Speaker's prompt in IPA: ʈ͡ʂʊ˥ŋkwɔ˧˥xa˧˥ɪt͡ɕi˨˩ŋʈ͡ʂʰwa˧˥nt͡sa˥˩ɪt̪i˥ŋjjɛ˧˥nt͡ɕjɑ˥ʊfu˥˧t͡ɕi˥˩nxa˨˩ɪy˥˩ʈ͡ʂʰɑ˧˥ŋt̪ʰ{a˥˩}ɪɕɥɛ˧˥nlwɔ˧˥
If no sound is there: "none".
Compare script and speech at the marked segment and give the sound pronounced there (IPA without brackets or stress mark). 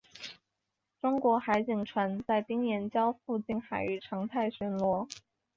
a˥˩